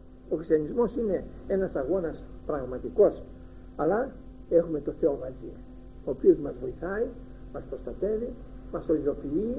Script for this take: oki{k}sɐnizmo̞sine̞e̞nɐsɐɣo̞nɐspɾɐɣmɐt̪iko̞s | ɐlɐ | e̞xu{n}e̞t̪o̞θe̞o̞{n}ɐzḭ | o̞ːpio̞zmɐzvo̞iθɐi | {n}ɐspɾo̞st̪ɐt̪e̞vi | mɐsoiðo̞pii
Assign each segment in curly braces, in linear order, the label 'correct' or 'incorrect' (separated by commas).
incorrect, incorrect, incorrect, incorrect